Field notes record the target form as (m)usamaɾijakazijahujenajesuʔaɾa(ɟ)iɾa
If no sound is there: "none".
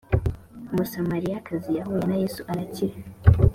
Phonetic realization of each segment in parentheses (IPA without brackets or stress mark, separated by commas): m, c